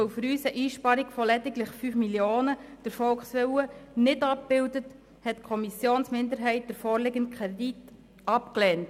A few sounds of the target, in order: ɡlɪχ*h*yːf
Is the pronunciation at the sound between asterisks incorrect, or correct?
incorrect: f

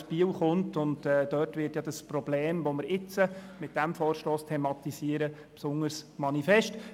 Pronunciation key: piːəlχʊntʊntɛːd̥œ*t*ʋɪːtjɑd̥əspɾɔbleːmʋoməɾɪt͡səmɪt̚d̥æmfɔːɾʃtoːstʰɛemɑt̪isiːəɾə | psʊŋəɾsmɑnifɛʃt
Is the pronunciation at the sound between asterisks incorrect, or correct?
correct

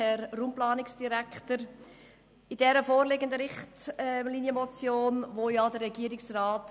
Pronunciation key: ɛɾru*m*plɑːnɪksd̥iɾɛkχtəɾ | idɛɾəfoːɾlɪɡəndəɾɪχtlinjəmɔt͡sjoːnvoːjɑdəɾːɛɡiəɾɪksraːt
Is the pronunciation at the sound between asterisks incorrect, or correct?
correct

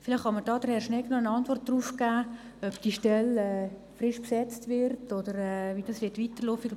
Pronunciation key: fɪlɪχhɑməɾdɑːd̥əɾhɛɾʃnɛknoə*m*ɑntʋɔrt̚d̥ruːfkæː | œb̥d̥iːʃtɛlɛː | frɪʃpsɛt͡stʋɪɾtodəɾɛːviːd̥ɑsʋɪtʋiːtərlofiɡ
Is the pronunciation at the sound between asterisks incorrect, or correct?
incorrect: n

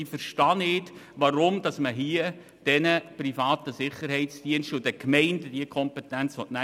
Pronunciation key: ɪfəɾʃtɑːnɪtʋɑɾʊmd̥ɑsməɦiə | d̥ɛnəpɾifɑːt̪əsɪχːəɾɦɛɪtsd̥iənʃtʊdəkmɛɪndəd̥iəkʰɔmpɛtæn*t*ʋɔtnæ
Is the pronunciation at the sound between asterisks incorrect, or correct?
incorrect: t͡s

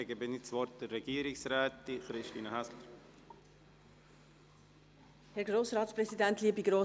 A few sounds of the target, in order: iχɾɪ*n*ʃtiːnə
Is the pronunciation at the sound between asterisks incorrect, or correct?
incorrect: none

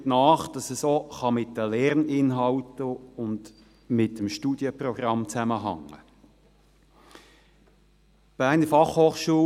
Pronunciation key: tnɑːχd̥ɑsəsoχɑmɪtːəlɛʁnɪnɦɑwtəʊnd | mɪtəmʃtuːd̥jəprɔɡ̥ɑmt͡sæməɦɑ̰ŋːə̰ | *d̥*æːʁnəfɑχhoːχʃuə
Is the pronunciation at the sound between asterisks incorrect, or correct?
incorrect: b̥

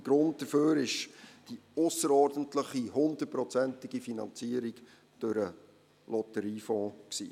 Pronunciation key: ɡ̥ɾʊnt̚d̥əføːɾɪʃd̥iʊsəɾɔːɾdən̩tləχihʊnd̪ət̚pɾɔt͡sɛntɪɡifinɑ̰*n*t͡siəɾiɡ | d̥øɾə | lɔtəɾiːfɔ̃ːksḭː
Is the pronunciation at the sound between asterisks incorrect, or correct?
correct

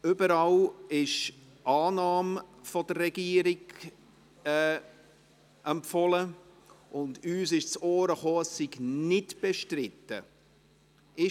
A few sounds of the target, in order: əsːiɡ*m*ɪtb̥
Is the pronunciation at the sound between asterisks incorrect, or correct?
incorrect: n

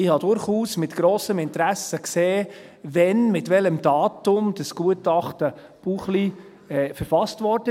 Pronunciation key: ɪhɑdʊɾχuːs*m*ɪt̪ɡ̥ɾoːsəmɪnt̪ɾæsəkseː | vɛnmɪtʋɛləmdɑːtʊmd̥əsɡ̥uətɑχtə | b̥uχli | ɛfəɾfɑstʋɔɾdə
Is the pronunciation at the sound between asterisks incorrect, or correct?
correct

